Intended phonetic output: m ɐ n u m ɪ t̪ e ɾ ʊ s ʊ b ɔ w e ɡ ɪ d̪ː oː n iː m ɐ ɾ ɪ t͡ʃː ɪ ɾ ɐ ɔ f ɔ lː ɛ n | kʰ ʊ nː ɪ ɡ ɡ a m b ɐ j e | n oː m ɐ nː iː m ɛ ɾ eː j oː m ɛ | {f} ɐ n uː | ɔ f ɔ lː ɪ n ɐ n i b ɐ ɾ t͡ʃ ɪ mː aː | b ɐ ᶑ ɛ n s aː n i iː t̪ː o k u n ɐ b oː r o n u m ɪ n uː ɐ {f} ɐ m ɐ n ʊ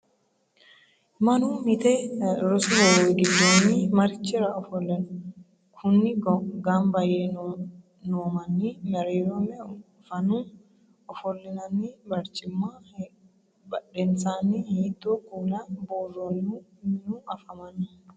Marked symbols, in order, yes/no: yes, yes

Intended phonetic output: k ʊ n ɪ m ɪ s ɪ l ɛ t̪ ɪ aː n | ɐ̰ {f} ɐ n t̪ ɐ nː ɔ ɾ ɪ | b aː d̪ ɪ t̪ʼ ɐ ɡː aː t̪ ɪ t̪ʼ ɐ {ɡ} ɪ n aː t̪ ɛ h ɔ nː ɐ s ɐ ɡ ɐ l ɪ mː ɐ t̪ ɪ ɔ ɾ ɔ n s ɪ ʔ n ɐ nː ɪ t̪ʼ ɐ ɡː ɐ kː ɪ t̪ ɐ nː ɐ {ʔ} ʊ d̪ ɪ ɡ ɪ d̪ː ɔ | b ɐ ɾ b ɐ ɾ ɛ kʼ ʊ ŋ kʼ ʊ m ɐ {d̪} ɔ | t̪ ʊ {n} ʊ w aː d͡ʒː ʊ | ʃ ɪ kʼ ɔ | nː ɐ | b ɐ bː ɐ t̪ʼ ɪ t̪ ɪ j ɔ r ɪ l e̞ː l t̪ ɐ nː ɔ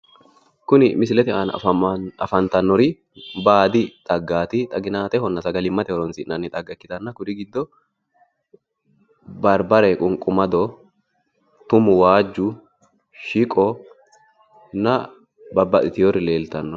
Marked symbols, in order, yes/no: yes, yes, no, yes, no

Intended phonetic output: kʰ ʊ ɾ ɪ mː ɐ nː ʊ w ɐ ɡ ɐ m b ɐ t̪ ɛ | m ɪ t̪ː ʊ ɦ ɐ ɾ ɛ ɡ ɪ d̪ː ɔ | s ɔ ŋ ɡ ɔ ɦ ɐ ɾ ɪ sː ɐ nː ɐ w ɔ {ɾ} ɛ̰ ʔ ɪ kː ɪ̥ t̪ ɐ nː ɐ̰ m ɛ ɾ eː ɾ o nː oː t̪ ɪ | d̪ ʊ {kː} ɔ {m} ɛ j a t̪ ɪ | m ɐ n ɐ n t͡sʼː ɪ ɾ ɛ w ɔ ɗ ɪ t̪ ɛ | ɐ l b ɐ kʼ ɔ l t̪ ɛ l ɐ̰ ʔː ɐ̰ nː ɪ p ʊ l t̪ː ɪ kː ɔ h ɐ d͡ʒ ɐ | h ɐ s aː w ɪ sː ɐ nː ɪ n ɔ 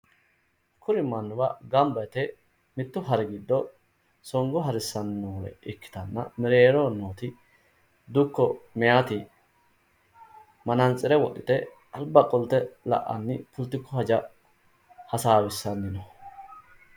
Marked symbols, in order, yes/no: no, yes, yes

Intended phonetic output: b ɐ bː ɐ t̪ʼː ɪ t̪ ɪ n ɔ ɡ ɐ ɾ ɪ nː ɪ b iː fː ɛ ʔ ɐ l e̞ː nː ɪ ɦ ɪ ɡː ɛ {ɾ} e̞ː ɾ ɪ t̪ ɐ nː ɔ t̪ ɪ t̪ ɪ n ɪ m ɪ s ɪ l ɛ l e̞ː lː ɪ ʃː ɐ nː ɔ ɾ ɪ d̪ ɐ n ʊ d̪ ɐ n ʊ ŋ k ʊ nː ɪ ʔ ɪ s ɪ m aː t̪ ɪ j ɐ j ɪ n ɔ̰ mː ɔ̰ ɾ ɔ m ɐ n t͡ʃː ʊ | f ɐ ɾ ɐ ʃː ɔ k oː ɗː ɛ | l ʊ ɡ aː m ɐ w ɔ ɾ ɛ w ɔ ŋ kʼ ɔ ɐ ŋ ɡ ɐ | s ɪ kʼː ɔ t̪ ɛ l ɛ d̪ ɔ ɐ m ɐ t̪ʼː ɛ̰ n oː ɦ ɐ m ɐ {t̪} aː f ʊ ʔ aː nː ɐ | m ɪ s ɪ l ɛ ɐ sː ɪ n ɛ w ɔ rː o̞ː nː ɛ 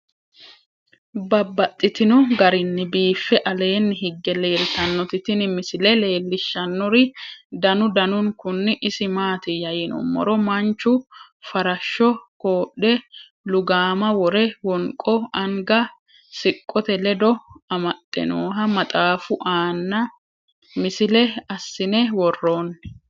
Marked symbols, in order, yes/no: no, no

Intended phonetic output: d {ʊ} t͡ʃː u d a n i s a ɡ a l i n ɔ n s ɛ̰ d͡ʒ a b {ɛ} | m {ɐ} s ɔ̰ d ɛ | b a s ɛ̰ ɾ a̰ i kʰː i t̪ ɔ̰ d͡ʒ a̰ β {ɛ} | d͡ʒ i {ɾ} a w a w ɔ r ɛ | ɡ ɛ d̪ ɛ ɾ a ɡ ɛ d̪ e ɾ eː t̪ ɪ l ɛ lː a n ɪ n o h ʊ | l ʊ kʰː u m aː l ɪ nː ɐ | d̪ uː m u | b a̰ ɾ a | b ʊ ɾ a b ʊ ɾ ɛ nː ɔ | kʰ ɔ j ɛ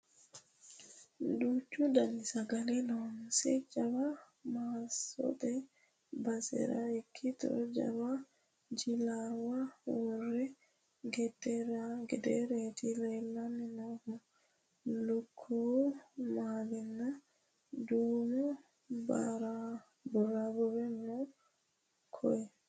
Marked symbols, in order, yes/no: no, no, no, no, no

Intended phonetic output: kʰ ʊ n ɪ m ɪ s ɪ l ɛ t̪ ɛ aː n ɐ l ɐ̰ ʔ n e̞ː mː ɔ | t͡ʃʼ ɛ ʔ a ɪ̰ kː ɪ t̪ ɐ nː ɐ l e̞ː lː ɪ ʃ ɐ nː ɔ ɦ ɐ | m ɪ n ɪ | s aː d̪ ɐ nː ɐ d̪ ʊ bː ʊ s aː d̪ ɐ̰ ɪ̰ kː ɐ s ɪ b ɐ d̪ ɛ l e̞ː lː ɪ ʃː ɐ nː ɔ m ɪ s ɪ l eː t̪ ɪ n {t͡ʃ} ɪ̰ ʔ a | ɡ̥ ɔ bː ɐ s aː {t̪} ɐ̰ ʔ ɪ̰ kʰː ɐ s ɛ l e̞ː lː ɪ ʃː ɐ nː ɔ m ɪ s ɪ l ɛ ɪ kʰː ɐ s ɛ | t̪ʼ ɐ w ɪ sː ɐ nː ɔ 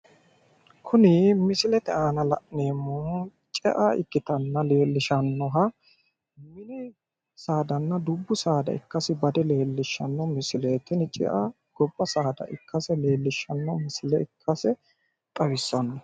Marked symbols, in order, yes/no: no, no

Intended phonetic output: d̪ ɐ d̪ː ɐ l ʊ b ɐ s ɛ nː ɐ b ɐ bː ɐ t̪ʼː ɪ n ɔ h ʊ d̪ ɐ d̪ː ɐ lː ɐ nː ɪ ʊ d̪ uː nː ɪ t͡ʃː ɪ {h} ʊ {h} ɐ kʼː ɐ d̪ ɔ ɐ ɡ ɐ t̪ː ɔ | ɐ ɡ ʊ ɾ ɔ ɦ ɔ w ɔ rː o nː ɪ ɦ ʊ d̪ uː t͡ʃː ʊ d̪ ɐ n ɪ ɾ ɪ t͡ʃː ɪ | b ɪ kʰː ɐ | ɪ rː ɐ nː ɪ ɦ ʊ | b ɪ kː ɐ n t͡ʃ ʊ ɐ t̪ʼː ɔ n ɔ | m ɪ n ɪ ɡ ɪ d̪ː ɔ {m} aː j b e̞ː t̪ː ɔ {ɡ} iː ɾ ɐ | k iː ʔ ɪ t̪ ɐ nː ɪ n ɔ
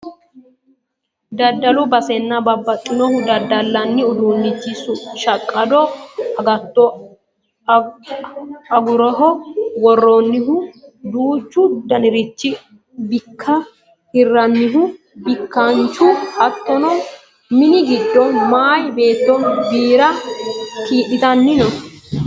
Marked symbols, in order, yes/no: no, no, yes, no

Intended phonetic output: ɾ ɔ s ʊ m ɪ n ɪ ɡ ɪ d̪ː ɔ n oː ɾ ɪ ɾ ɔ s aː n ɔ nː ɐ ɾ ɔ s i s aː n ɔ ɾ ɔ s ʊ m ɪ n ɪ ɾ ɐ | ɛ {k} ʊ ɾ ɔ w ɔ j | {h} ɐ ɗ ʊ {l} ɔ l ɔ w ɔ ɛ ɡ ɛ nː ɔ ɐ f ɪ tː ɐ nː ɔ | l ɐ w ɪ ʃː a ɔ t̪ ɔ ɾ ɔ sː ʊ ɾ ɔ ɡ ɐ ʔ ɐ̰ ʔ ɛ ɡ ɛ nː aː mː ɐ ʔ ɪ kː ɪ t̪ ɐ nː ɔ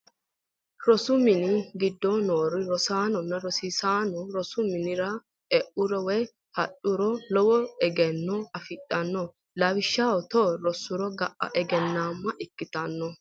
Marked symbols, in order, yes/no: no, yes, no

